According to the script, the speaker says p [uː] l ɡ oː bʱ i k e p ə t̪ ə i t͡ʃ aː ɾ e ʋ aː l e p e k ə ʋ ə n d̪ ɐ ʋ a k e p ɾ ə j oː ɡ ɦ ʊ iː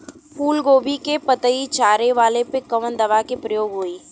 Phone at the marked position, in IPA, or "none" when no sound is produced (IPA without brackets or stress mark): uː